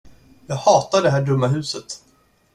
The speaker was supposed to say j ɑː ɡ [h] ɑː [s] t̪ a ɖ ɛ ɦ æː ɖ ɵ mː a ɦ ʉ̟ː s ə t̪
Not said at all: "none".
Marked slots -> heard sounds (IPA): h, none

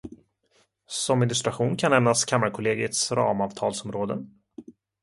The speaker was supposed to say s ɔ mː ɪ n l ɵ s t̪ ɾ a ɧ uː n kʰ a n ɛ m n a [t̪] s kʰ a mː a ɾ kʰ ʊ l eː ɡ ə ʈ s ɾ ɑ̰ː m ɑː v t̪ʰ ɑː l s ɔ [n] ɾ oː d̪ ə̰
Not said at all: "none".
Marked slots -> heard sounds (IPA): none, m

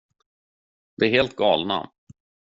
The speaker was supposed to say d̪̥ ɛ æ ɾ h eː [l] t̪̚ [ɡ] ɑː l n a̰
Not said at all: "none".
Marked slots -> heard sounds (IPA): l, ɡ

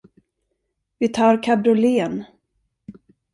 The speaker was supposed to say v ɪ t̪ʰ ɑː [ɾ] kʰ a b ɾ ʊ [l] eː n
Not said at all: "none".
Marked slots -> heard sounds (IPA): ɾ, l

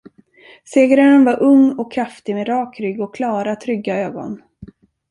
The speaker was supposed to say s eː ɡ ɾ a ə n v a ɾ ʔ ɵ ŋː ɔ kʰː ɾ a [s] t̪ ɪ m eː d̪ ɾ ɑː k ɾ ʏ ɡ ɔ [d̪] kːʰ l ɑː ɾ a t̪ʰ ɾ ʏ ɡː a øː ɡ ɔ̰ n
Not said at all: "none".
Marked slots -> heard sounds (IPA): f, none

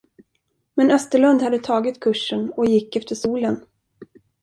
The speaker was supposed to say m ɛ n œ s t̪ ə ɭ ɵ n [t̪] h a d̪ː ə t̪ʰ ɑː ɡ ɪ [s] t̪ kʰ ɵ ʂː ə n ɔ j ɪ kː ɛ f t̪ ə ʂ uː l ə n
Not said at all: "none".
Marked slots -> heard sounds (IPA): d̪, none

